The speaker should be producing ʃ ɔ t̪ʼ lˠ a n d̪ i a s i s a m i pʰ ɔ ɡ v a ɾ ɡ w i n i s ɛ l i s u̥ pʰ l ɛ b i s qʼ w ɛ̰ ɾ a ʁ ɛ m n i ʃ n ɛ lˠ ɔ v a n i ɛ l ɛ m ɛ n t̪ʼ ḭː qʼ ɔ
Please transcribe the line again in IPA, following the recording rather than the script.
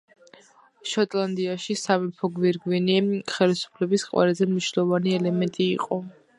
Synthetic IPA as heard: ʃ ɔ t̪ʼ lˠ a n d̪ i a ʃ i s a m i pʰ ɔ ɡ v i ɾ ɡ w i n i χ ɛ l i s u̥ pʰ l ɛ b i s qʼ w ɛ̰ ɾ a z ɛ m n i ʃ n ɛ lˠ ɔ v a n i ɛ l ɛ m ɛ n t̪ʼ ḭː qʼ ɔ